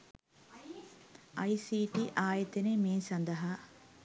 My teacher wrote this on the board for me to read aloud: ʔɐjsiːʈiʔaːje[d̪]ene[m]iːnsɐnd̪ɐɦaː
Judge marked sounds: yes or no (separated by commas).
no, yes